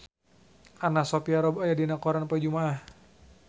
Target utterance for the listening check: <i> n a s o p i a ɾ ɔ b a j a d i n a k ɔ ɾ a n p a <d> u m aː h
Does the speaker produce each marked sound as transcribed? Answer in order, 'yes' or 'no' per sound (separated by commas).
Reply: no, no